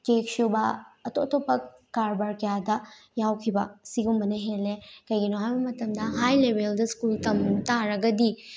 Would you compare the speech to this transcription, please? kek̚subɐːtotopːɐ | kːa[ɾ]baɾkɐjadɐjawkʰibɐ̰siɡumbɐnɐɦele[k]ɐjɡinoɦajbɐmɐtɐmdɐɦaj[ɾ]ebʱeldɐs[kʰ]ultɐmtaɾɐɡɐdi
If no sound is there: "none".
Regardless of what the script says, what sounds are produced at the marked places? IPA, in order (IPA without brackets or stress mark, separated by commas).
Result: ɾ, k, l, k